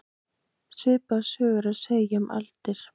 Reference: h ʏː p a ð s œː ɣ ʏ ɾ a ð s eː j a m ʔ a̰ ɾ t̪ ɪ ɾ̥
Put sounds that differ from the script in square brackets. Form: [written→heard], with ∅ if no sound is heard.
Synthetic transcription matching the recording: [h→s] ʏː p a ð s œː ɣ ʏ ɾ a ð s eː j a m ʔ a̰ [ɾ→l] t̪ ɪ ɾ̥